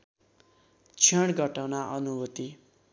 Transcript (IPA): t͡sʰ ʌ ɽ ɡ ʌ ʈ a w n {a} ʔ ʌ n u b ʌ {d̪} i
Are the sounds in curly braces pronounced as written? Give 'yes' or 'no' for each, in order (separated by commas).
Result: yes, no